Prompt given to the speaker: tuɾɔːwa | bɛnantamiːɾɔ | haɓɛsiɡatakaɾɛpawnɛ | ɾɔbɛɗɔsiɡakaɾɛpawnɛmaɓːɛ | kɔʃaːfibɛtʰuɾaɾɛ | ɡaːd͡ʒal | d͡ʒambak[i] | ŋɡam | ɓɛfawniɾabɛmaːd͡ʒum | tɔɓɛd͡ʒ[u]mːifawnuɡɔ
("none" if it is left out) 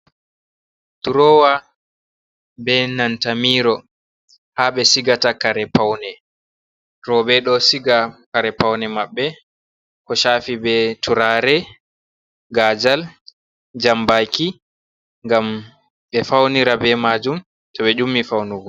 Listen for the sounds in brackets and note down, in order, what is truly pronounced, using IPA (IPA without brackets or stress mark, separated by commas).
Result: i, u